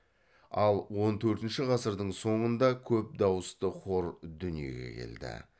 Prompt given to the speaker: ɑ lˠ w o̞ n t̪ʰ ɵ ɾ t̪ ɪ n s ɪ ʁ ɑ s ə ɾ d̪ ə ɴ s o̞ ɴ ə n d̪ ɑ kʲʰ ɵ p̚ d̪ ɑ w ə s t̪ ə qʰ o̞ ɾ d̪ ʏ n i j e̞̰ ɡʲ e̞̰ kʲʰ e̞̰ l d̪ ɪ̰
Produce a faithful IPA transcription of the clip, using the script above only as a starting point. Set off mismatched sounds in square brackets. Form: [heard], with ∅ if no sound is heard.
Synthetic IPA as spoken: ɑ lˠ w o̞ n t̪ʰ ɵ ɾ t̪ ɪ n [ʃ] ɪ ʁ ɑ s ə ɾ d̪ ə ɴ s o̞ ɴ ə n d̪ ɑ kʲʰ ɵ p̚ d̪ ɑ w ə s t̪ ə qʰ o̞ ɾ d̪ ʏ n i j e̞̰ ɡʲ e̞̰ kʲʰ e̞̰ l d̪ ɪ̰